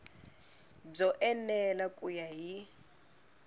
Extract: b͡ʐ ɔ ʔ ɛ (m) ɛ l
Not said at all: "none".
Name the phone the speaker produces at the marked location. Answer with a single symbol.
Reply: n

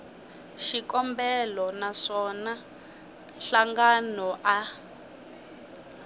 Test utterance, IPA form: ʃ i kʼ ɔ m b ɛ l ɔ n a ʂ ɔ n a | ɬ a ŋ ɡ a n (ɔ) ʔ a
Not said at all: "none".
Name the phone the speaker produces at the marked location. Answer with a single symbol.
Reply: ɔ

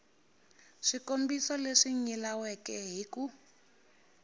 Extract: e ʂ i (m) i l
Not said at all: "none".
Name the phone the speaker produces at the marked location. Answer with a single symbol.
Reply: ɲ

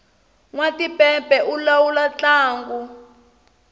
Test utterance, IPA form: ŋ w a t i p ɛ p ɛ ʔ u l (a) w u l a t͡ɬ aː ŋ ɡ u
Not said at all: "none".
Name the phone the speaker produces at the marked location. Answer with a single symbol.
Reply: a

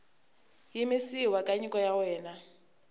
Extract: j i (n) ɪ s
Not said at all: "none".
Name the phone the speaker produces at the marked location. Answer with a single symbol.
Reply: m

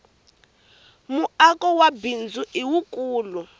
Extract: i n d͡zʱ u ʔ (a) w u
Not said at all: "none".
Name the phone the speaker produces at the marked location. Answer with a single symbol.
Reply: i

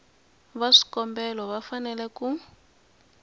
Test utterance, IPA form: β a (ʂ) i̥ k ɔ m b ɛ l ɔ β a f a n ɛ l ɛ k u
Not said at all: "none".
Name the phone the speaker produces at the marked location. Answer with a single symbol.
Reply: ʂ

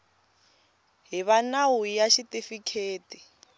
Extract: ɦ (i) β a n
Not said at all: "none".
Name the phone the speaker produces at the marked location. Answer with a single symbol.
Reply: i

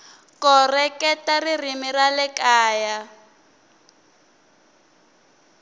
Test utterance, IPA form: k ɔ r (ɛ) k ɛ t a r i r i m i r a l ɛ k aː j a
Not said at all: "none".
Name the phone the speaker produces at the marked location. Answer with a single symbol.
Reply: ɛ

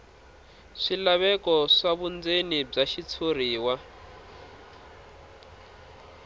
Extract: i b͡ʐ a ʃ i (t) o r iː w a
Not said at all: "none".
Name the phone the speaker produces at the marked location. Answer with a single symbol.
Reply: t͡sʰ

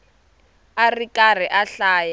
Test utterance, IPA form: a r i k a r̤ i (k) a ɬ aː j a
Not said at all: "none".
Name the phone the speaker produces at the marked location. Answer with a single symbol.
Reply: ʔ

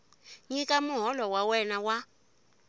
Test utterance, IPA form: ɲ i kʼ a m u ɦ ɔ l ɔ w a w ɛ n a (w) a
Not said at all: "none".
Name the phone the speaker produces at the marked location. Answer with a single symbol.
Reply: w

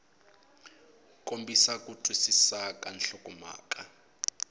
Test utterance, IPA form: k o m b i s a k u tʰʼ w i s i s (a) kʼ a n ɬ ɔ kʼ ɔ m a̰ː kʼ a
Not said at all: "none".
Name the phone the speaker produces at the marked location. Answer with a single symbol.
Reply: a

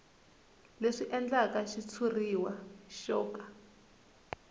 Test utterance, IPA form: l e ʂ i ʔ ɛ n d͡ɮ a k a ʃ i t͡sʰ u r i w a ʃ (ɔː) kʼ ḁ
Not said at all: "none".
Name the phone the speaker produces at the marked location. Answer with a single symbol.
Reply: ɔː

